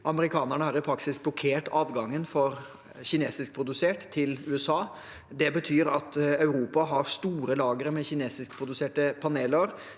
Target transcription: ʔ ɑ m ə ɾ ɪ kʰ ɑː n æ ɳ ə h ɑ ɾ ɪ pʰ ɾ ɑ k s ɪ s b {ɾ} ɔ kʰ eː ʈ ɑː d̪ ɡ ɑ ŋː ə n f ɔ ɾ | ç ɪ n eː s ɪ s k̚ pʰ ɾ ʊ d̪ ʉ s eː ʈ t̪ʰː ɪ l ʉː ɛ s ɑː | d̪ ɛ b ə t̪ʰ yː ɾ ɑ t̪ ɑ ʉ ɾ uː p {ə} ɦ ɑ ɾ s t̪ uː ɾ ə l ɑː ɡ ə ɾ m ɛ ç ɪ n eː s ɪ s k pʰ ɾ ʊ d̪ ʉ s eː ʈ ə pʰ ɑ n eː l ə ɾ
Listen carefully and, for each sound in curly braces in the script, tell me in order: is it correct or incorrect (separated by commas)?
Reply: incorrect, incorrect